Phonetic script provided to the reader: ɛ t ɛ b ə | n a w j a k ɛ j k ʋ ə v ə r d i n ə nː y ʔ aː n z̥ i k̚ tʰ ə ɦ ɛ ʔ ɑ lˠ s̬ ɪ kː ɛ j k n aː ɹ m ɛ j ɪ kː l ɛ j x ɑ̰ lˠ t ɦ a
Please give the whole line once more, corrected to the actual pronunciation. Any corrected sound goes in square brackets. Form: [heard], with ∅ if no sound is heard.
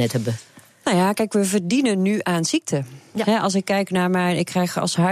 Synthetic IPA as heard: ɛ t ɛ b ə | n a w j a k ɛ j k ʋ ə v ə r d i n ə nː y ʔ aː n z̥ i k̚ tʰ ə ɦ ɛ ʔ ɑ lˠ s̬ ɪ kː ɛ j k n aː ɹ m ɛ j ɪ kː [r] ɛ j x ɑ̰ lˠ [s] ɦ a